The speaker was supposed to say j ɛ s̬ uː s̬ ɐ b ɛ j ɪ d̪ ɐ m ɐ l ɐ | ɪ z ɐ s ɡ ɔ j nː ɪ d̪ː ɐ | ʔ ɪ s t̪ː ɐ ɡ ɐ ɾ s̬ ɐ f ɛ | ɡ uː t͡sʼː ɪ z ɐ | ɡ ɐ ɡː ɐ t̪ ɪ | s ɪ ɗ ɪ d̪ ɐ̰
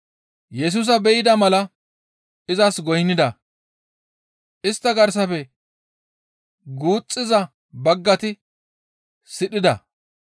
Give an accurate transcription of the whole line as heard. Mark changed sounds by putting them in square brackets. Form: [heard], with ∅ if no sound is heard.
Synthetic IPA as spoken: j ɛ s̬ uː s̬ ɐ b ɛ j ɪ d̪ ɐ m ɐ l ɐ | ɪ z ɐ s ɡ ɔ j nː ɪ [d̪] ɐ | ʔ ɪ s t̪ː ɐ ɡ ɐ ɾ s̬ ɐ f ɛ | ɡ uː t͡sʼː ɪ z ɐ | [b] ɐ ɡː ɐ t̪ ɪ | s ɪ ɗ ɪ d̪ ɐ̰

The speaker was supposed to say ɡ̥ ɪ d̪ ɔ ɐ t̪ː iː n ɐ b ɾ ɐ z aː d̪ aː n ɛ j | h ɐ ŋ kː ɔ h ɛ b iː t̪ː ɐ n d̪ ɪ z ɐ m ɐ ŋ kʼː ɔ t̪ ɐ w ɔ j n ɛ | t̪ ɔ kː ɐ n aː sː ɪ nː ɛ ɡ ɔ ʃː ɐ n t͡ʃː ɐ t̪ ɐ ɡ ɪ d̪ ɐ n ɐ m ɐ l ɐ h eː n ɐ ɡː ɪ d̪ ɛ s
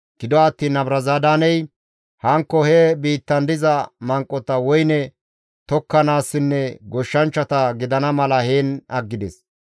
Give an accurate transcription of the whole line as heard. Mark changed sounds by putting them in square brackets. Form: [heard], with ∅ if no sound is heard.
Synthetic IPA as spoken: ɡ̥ ɪ d̪ ɔ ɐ t̪ː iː n ɐ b ɾ ɐ z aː d̪ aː n ɛ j | h ɐ ŋ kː ɔ h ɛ b iː t̪ː ɐ n d̪ ɪ z ɐ m ɐ ŋ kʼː ɔ t̪ ɐ w ɔ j n ɛ | t̪ ɔ kː ɐ n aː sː ɪ nː ɛ ɡ ɔ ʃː ɐ n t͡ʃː ɐ t̪ ɐ ɡ ɪ d̪ ɐ n ɐ m ɐ l ɐ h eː n ɐ ɡː ɪ d̪ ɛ s

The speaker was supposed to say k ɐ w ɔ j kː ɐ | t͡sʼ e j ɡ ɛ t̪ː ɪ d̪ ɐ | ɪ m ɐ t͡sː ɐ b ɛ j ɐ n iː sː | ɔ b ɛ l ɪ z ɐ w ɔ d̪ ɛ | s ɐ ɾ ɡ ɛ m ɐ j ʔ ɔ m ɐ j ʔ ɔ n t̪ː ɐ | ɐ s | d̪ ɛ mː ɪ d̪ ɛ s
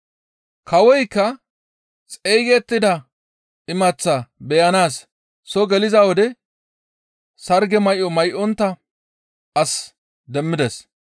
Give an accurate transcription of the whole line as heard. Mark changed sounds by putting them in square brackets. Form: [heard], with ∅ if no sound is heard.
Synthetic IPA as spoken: k ɐ w ɔ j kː ɐ | t͡sʼ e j ɡ ɛ t̪ː ɪ d̪ ɐ | ɪ m ɐ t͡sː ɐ b ɛ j ɐ n [aː] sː | ɔ [ɡ] ɛ l ɪ z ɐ w ɔ d̪ ɛ | s ɐ ɾ ɡ ɛ m ɐ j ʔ ɔ m ɐ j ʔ ɔ n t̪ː ɐ | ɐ s | d̪ ɛ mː ɪ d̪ ɛ s

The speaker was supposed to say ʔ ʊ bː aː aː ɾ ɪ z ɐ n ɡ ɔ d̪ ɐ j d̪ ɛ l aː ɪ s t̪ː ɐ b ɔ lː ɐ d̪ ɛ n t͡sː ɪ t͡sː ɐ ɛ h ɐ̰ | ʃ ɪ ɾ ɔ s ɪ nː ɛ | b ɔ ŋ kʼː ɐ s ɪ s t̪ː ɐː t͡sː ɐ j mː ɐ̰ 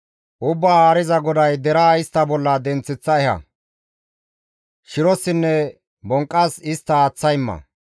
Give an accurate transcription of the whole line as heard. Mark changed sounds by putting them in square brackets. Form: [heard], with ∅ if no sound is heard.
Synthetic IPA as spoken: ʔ ʊ bː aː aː ɾ ɪ z ɐ [∅] ɡ ɔ d̪ ɐ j d̪ ɛ [ɾ] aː ɪ s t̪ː ɐ b ɔ lː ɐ d̪ ɛ n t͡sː ɪ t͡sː ɐ ɛ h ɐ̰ | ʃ ɪ ɾ ɔ s ɪ nː ɛ | b ɔ ŋ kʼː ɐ s ɪ s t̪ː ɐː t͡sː ɐ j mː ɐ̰

